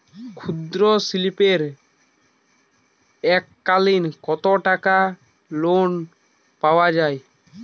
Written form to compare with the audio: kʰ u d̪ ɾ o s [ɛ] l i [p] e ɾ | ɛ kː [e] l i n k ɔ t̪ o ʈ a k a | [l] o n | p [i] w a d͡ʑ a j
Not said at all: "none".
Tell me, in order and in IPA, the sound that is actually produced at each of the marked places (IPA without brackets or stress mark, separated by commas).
i, p, a, l, a